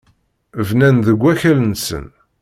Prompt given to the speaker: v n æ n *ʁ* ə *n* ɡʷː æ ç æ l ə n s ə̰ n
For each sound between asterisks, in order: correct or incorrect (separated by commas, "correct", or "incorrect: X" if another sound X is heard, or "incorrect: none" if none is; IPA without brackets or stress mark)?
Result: incorrect: ð, incorrect: none